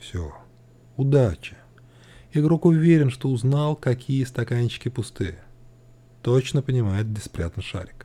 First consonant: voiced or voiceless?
voiceless